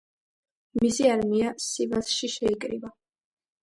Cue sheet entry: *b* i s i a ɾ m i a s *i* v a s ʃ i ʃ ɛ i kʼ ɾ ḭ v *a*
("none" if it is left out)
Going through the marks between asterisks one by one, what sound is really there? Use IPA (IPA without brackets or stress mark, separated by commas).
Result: m, i, a